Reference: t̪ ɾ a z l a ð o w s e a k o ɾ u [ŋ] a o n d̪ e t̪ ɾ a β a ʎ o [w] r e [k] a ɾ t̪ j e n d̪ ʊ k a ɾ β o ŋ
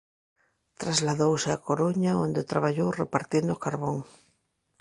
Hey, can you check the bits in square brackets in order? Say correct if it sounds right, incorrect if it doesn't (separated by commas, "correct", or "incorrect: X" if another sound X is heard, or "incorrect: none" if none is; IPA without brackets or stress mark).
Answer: incorrect: ɲ, correct, incorrect: p